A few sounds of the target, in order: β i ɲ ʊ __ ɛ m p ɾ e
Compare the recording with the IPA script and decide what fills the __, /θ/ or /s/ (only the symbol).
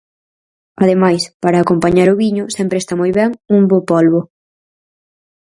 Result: s